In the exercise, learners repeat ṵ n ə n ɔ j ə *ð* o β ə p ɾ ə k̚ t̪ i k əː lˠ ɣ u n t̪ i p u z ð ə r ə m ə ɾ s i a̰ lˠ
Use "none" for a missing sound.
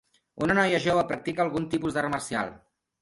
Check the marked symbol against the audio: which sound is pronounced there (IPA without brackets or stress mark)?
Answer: ʒ